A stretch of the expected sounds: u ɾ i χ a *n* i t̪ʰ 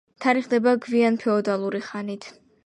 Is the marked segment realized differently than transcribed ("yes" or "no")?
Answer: no